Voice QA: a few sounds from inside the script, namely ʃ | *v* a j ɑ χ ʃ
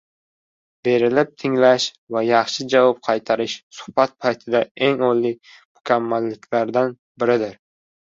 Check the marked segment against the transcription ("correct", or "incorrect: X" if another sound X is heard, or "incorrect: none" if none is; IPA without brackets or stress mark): correct